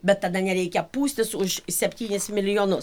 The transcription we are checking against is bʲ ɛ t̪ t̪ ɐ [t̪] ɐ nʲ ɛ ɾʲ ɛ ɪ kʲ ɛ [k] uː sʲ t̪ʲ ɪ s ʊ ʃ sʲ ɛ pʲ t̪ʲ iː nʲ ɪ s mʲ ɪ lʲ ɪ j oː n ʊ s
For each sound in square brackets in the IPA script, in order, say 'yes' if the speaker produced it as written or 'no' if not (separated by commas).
no, no